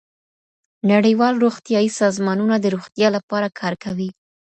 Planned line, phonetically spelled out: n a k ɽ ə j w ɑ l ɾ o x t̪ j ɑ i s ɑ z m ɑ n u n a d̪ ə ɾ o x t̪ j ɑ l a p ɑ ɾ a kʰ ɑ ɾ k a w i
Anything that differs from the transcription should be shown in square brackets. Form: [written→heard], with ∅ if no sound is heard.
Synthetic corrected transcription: n a [k→∅] ɽ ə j w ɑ l ɾ o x t̪ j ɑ i s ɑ z m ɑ n u n a d̪ ə ɾ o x t̪ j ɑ l a p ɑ ɾ a kʰ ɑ ɾ k a w i